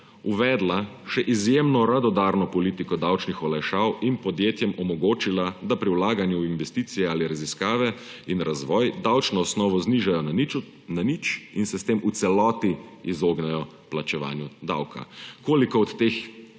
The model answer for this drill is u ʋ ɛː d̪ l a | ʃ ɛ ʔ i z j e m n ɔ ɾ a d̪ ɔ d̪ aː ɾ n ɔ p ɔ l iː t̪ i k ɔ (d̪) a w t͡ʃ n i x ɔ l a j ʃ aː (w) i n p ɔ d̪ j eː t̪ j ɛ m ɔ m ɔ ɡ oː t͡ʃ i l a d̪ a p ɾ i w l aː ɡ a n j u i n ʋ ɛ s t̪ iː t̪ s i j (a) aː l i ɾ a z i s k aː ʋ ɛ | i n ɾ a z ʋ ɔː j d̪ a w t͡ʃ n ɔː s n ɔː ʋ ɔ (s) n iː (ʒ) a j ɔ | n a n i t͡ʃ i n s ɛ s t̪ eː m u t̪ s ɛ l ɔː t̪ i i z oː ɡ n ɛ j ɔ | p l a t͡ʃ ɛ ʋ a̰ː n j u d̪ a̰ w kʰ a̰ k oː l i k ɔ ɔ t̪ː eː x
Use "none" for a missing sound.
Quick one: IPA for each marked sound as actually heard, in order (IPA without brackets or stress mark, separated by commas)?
d̪, w, ɛ, z, ʒ